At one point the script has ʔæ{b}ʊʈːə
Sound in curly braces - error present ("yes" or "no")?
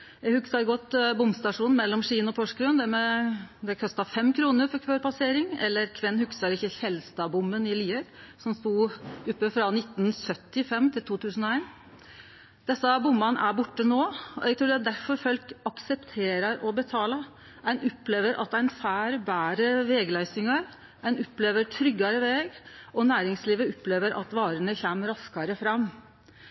no